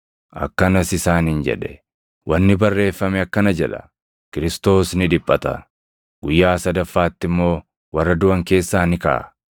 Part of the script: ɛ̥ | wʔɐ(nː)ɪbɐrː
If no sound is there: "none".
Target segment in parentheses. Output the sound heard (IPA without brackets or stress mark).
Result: nː